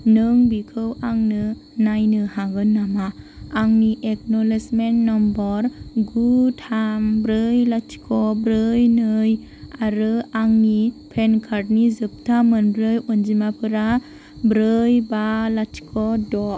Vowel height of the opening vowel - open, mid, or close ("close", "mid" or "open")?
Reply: close